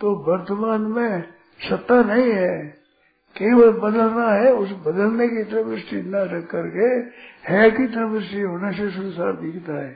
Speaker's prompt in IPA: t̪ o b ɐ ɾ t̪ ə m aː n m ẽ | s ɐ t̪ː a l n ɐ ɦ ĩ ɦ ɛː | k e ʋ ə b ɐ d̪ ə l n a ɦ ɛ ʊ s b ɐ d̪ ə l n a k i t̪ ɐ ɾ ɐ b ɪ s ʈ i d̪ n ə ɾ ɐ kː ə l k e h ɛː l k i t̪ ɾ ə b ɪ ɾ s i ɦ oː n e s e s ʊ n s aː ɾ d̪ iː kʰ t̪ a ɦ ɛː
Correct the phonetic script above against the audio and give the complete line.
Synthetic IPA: t̪ o b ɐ ɾ t̪ ə m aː n m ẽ | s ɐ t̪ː a n ɐ ɦ ĩ ɦ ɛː | k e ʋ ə b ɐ d̪ ə l n a ɦ ɛ ʊ s b ɐ d̪ ə l n e k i t̪ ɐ ɾ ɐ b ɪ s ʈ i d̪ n a ɾ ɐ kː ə ɾ k e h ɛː k i t̪ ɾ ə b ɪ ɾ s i ɦ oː n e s e s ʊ n s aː ɾ d̪ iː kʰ t̪ a ɦ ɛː